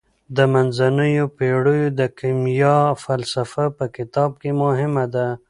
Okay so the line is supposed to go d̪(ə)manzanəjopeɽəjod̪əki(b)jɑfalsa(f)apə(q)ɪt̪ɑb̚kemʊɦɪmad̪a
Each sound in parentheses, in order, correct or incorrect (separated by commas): correct, incorrect, correct, incorrect